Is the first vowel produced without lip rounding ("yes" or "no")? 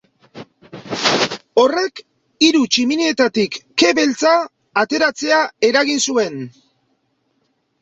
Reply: no